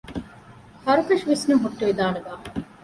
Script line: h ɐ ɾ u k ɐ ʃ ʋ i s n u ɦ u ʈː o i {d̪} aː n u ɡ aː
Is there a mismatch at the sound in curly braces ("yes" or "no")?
no